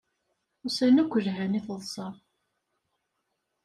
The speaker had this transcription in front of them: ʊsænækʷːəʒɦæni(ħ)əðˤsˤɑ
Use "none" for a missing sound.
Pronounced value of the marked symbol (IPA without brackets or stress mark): θ